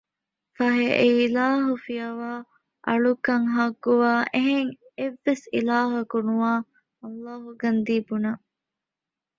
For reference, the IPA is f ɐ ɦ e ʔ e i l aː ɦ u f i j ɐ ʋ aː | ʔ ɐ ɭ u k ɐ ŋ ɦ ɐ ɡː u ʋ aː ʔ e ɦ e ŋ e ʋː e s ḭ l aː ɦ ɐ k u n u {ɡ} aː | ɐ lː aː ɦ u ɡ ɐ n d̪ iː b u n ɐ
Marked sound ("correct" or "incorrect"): incorrect